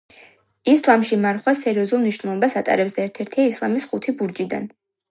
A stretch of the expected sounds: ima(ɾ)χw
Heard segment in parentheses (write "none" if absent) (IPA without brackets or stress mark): ɾ